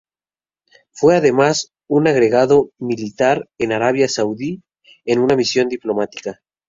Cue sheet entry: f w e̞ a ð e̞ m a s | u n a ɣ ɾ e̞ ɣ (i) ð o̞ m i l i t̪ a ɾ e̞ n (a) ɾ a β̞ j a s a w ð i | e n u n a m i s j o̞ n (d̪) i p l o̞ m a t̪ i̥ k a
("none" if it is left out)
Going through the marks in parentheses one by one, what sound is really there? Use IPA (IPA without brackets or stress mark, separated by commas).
a, a, d̪